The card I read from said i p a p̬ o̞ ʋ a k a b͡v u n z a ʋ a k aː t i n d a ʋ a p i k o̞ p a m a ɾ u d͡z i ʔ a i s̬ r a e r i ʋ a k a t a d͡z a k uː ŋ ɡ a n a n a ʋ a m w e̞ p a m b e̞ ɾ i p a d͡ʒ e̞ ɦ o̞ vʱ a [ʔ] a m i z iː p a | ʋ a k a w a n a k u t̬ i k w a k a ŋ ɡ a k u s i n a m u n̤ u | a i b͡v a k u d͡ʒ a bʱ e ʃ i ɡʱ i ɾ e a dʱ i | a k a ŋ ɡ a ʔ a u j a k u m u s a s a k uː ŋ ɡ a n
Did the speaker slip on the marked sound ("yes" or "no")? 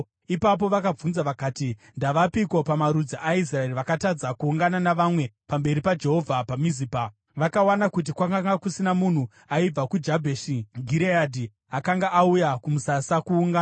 yes